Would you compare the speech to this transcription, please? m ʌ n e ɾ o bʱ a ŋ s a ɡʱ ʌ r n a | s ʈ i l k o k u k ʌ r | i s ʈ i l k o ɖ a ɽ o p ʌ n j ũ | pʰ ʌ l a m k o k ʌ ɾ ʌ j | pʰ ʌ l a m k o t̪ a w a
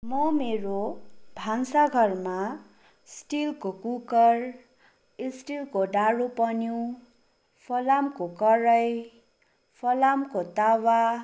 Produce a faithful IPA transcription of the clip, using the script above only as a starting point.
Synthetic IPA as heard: m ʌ m e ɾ o bʱ a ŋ s a ɡʱ ʌ r m a | s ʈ i l k o k u k ʌ r | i s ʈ i l k o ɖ a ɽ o p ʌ n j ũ | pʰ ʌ l a m k o k ʌ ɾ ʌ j | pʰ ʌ l a m k o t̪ a w a

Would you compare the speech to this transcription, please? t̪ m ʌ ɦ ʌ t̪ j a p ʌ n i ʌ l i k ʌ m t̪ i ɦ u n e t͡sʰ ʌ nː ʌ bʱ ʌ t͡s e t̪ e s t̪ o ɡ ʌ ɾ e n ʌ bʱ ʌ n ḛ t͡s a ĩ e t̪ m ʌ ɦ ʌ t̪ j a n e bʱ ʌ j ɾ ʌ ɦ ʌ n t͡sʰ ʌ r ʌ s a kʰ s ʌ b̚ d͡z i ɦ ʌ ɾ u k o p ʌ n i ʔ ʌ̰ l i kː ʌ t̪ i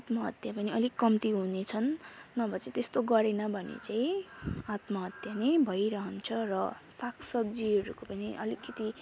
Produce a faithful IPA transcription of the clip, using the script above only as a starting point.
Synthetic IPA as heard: t̪ m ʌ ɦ ʌ t̪ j a p ʌ n i ʌ l i k ʌ m t̪ i ɦ u n e t͡sʰ ʌ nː ʌ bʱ ʌ t͡s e t̪ e s t̪ o ɡ ʌ ɾ e n ʌ bʱ ʌ n ḛ t͡s a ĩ a t̪ m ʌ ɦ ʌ t̪ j a n e bʱ ʌ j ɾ ʌ ɦ ʌ n t͡sʰ ʌ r ʌ s a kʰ s ʌ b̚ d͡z i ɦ ʌ ɾ u k o p ʌ n i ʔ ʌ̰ l i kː ʌ t̪ i

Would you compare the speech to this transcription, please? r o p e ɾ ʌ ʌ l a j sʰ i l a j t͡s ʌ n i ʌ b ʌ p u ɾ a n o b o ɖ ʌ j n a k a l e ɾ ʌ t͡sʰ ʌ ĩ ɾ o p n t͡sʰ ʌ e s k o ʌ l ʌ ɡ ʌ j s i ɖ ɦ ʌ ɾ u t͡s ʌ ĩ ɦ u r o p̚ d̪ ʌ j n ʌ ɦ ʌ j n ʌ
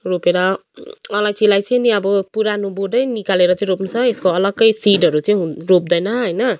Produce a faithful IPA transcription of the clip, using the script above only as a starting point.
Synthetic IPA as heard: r o p e ɾ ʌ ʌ l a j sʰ i l a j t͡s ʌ n i ʌ b ʌ p u ɾ a n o b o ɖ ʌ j n i k a l e ɾ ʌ t͡s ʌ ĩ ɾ o p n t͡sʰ ʌ e s k o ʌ l ʌ ɡ ʌ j s i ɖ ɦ ʌ ɾ u t͡s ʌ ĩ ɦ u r o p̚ d̪ ʌ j n ʌ ɦ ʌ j n ʌ

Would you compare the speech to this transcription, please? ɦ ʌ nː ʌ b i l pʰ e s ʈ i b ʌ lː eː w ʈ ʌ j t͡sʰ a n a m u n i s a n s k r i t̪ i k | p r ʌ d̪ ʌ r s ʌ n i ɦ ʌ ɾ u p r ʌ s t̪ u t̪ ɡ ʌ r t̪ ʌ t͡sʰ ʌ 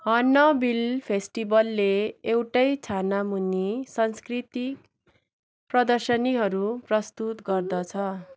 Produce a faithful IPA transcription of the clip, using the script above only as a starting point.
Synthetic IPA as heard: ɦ ʌ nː ʌ b i l pʰ e s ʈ i b ʌ lː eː w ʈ ʌ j t͡sʰ a n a m u n i s ʌ n s k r i t̪ i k | p r ʌ d̪ ʌ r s ʌ n i ɦ ʌ ɾ u p r ʌ s t̪ u t̪ ɡ ʌ r d̪ ʌ t͡sʰ ʌ

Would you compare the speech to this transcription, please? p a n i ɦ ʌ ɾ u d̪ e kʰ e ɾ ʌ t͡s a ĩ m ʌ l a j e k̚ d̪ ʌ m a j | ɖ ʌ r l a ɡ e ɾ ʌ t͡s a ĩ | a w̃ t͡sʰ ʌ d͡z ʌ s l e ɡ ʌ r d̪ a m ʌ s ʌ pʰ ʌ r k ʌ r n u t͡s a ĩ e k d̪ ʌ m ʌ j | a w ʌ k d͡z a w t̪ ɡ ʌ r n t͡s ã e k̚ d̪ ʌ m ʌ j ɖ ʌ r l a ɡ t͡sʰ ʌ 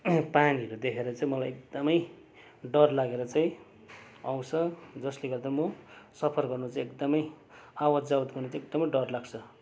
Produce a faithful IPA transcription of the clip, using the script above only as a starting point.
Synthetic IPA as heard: p a n i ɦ ʌ ɾ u d̪ e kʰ e ɾ ʌ t͡s a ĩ m ʌ l a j e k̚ d̪ ʌ m ʌ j | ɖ ʌ r l a ɡ e ɾ ʌ t͡s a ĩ | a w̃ t͡sʰ ʌ d͡z ʌ s l e ɡ ʌ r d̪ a m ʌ s ʌ pʰ ʌ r ɡ ʌ r n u t͡s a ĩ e k d̪ ʌ m ʌ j | a w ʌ d͡z a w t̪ ɡ ʌ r n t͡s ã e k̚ d̪ ʌ m ʌ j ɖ ʌ r l a ɡ t͡sʰ ʌ

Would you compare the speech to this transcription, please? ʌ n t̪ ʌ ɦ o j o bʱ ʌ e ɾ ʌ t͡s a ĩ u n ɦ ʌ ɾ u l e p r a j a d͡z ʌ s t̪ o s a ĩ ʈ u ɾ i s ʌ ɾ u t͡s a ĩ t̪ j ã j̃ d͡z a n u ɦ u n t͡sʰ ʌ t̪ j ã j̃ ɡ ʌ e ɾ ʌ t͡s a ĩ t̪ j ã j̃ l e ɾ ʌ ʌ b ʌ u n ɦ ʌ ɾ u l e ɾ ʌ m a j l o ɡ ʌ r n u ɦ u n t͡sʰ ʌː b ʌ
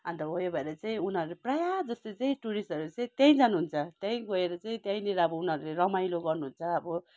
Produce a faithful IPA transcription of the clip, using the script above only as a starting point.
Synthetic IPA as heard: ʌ n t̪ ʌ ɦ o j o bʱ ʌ e ɾ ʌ t͡s a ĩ u n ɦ ʌ ɾ u l e p r a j a d͡z ʌ s t̪ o t͡s a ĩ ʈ u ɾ i s ʌ ɾ u t͡s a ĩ t̪ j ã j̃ d͡z a n u ɦ u n t͡sʰ ʌ t̪ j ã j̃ ɡ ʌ e ɾ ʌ t͡s a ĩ t̪ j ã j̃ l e ɾ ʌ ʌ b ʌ u n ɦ ʌ ɾ u l e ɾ ʌ m a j l o ɡ ʌ r n u ɦ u n t͡sʰ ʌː b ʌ

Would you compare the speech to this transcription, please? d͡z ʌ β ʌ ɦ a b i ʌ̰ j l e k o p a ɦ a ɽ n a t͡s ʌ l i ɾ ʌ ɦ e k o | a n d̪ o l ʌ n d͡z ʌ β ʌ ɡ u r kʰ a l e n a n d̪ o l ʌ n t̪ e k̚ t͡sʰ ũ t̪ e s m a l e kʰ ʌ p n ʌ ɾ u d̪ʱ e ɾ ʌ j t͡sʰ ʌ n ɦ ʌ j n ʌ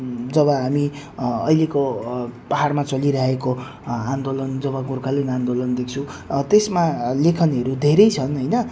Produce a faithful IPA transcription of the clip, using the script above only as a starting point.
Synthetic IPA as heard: d͡z ʌ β ʌ ɦ a m i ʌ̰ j l e k o p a ɦ a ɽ m a t͡s ʌ l i ɾ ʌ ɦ e k o | a n d̪ o l ʌ n d͡z ʌ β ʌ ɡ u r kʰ a l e n a n d̪ o l ʌ n d̪ e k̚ t͡sʰ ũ t̪ e s m a l e kʰ ʌ n ʌ ɾ u d̪ʱ e ɾ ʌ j t͡sʰ ʌ n ɦ ʌ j n ʌ

